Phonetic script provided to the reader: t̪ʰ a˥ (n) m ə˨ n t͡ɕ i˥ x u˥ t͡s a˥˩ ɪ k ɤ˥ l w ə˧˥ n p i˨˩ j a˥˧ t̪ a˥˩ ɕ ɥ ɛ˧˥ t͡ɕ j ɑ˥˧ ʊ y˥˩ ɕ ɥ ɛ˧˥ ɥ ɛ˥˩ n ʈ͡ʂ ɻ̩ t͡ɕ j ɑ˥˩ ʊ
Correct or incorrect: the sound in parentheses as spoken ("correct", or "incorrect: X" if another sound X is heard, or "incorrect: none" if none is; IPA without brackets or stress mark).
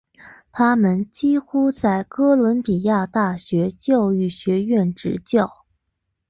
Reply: incorrect: none